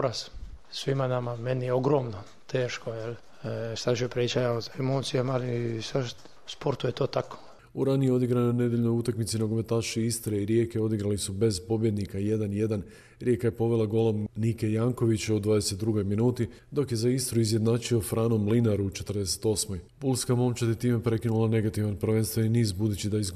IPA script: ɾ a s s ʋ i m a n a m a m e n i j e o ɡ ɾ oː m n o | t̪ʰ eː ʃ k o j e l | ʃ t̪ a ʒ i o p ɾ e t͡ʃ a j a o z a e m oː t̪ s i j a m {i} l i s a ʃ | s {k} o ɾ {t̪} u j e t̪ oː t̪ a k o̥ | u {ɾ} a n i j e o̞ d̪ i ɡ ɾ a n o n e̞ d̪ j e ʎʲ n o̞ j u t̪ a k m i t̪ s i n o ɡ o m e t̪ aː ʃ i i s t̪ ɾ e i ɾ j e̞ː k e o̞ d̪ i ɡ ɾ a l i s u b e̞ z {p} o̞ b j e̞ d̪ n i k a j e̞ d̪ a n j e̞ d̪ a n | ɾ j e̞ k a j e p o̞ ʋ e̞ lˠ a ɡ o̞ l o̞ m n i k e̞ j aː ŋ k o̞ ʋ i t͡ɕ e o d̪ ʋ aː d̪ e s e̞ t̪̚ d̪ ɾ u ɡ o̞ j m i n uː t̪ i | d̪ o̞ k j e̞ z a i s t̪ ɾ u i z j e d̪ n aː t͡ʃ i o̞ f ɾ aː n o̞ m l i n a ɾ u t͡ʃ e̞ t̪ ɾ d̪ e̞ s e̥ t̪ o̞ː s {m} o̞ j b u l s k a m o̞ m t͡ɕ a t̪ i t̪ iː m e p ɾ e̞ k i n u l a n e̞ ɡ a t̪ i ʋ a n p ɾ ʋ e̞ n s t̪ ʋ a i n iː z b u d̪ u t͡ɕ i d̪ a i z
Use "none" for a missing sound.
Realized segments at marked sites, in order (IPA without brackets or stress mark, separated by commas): a, p, t̪, ɾ, p, m